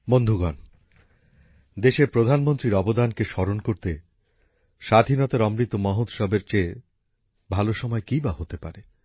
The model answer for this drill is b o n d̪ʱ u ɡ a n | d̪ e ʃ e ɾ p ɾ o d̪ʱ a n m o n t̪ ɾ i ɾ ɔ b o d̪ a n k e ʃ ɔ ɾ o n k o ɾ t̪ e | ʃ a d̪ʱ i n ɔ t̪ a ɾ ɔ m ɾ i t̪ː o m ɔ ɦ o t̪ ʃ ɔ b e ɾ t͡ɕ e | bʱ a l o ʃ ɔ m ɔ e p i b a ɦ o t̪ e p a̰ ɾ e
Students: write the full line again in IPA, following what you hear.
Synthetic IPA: b o n d̪ʱ u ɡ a n | d̪ e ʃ e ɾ p ɾ o d̪ʱ a n m o n t̪ ɾ i ɾ ɔ b o d̪ a n k e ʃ ɔ ɾ o n k o ɾ t̪ e | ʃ a d̪ʱ i n ɔ t̪ a ɾ ɔ m ɾ i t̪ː o m ɔ ɦ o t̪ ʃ ɔ b e ɾ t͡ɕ e | bʱ a l o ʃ ɔ m ɔ e k i b a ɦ o t̪ e p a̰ ɾ e